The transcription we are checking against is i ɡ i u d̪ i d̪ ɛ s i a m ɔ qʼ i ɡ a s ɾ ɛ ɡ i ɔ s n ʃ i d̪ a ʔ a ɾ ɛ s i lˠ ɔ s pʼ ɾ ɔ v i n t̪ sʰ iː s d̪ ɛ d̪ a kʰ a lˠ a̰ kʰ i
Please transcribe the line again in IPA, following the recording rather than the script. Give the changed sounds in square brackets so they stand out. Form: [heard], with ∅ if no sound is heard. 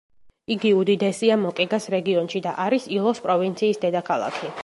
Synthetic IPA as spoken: i ɡ i u d̪ i d̪ ɛ s i a m ɔ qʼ i ɡ a s ɾ ɛ ɡ i ɔ [∅] n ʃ i d̪ a ʔ a ɾ [i] s i lˠ ɔ s pʼ ɾ ɔ v i n t̪ sʰ iː s d̪ ɛ d̪ a kʰ a lˠ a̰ kʰ i

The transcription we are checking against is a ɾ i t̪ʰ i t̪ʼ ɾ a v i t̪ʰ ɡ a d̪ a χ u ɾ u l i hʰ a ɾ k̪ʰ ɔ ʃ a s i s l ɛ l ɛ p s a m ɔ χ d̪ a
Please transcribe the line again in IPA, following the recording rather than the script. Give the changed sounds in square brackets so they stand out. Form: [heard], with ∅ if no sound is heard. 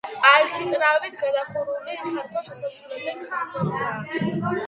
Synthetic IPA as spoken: a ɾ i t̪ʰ i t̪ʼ ɾ a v i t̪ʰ ɡ a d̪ a χ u ɾ u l i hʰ a ɾ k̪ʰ ɔ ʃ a s [a] s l ɛ l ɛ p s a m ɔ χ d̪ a

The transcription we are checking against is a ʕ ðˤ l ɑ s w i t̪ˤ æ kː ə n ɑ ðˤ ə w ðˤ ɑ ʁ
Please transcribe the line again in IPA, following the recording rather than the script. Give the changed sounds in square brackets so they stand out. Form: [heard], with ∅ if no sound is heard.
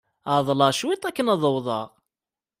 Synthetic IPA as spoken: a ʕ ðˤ l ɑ [ʃ] w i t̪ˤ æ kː ə n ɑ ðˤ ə w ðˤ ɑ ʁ

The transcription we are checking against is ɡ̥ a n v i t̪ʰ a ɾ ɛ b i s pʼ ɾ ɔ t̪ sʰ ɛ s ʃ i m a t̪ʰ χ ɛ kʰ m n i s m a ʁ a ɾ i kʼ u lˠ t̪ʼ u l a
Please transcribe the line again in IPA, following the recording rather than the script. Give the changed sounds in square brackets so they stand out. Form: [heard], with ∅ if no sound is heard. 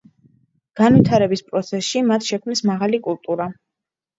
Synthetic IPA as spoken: ɡ̥ a n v i t̪ʰ a ɾ ɛ b i s pʼ ɾ ɔ t̪ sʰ ɛ s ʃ i m a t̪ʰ [ʃ] ɛ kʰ m n i s m a ʁ a [l] i kʼ u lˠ t̪ʼ u [ɾ] a

